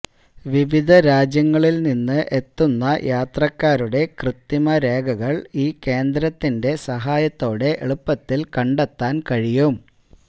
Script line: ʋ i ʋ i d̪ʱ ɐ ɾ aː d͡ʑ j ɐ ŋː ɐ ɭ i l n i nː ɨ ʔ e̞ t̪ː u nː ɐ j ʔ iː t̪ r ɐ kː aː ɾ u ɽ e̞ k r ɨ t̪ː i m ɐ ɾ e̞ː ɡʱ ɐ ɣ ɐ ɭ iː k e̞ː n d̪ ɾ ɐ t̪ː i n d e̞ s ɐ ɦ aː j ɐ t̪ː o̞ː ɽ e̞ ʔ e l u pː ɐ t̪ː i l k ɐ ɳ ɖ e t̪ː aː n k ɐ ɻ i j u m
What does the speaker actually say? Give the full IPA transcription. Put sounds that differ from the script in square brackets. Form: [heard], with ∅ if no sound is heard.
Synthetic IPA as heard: ʋ i ʋ i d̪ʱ ɐ ɾ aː d͡ʑ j ɐ ŋː ɐ ɭ i l n i nː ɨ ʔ e̞ t̪ː u nː ɐ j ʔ [aː] t̪ r ɐ kː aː ɾ u ɽ e̞ k r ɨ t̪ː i m ɐ ɾ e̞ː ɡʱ ɐ ɣ ɐ ɭ iː k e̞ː n d̪ ɾ ɐ t̪ː i n d e̞ s ɐ ɦ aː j ɐ t̪ː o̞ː ɽ e̞ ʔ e [ɭ] u pː ɐ t̪ː i l k ɐ ɳ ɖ e t̪ː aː n k ɐ ɻ i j u m